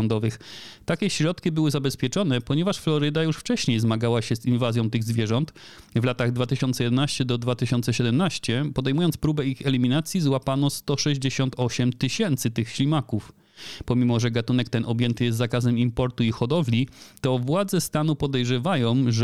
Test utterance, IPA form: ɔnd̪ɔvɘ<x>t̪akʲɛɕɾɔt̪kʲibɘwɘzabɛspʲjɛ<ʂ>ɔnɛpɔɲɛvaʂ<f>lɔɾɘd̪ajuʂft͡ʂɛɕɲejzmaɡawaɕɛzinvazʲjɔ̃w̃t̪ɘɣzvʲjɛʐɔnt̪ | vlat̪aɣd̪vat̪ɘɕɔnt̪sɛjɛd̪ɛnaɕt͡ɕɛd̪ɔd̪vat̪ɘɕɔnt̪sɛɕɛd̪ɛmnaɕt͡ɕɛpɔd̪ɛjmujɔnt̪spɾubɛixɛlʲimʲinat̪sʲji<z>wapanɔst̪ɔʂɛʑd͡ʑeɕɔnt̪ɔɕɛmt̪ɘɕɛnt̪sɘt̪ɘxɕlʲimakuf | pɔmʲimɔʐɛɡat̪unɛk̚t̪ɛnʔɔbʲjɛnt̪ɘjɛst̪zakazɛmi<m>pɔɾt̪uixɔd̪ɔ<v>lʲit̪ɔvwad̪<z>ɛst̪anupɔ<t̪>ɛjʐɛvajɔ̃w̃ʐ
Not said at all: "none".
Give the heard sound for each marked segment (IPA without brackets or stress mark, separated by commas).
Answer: x, t͡ʂ, f, z, m, v, z, d̪